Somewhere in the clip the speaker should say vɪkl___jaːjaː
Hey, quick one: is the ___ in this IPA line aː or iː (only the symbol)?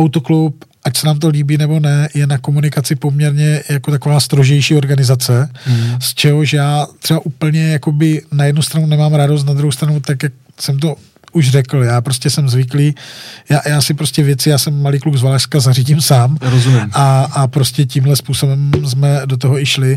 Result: iː